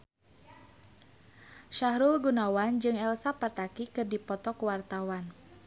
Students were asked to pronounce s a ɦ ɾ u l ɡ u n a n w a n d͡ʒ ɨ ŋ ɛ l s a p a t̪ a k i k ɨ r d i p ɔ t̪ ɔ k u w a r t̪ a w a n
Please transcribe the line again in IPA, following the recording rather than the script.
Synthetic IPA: ʃ a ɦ ɾ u l ɡ u n a w a n d͡ʒ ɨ ŋ ɛ l s a p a t̪ a k i k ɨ r d i p ɔ t̪ ɔ k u w a r t̪ a w a n